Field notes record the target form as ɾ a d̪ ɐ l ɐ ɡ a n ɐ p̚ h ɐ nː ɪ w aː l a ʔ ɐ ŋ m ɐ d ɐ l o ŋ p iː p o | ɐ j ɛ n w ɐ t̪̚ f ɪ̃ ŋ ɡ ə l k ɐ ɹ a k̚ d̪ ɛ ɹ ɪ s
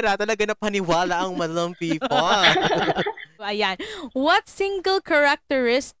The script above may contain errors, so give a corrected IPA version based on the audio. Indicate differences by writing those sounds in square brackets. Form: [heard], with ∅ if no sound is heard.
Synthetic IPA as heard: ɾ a [t̪] ɐ l ɐ ɡ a n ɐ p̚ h ɐ [n] ɪ w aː l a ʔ ɐ ŋ m ɐ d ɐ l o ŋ p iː p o | ɐ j [a] n w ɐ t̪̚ [s] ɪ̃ ŋ ɡ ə l k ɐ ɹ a k̚ [t̪] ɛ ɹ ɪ s